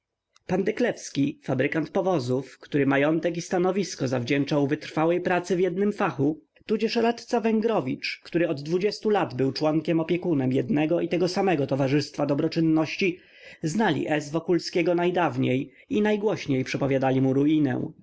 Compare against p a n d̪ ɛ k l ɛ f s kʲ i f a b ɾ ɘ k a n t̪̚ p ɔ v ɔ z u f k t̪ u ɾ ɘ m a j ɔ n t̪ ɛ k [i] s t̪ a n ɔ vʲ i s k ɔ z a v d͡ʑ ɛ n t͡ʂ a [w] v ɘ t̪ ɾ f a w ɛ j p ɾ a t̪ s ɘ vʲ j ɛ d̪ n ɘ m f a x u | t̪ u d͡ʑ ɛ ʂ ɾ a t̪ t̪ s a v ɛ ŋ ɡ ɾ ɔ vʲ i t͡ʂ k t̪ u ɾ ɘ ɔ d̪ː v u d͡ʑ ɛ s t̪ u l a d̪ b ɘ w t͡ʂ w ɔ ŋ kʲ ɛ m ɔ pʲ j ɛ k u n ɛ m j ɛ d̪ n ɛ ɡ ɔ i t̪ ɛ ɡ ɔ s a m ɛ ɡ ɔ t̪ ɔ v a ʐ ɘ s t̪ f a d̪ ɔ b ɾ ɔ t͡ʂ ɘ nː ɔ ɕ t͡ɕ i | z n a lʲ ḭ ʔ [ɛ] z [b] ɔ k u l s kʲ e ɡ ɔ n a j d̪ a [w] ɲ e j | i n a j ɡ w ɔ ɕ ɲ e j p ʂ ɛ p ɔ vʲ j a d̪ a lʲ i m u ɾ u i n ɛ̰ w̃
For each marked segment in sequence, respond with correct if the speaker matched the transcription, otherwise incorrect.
correct, correct, correct, incorrect: v, incorrect: v

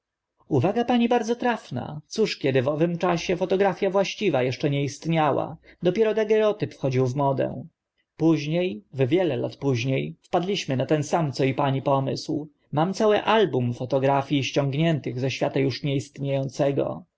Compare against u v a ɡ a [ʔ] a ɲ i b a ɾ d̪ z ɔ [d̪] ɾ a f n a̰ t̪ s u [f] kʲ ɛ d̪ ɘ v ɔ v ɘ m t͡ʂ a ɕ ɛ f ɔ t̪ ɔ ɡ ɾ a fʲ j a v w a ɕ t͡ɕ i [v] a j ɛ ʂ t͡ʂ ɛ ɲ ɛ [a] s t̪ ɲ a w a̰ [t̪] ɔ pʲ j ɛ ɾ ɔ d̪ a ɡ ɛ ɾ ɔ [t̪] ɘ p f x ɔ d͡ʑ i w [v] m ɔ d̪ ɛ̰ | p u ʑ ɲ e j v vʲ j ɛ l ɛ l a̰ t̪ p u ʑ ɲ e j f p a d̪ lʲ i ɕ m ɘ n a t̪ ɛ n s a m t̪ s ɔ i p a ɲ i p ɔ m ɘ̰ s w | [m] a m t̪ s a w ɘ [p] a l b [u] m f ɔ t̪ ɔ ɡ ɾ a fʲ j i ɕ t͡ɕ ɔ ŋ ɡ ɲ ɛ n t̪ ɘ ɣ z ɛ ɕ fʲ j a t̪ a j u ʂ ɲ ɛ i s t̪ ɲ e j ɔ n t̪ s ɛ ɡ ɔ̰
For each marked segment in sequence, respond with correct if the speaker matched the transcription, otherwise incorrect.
incorrect: p, incorrect: t̪, incorrect: ʂ, correct, incorrect: i, incorrect: d̪, correct, correct, correct, incorrect: ʔ, correct

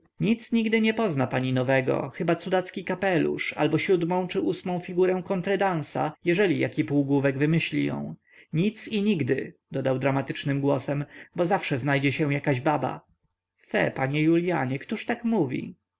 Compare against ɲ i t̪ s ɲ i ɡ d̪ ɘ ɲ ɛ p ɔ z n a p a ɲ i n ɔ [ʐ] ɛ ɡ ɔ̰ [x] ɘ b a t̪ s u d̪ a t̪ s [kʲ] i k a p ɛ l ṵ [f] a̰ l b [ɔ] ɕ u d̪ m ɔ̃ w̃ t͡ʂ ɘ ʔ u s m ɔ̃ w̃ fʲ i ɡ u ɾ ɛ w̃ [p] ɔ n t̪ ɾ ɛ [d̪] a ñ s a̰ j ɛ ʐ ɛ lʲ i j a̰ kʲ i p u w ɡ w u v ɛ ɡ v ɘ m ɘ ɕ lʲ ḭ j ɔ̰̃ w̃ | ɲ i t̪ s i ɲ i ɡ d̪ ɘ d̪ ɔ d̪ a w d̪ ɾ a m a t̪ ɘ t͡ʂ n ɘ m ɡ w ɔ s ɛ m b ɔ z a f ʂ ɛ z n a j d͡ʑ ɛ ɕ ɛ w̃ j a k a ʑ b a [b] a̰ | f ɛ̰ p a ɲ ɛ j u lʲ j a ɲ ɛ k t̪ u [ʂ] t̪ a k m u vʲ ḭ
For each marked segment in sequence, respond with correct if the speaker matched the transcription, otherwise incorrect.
incorrect: v, correct, correct, incorrect: ʂ, correct, incorrect: k, correct, correct, correct

